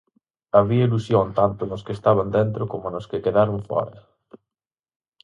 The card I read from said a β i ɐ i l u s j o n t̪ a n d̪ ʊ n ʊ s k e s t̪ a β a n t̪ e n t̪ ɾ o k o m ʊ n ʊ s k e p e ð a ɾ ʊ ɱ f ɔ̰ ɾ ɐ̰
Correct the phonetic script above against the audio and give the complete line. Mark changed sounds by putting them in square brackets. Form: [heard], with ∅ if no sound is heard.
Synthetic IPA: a β i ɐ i l u s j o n t̪ a n [t̪] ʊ n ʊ s k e s t̪ a β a n [d̪] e n t̪ ɾ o k o m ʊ n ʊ s k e [k] e ð a ɾ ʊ ɱ f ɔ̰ ɾ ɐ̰